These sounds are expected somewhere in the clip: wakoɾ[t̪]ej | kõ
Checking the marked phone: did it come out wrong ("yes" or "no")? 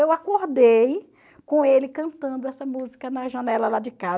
yes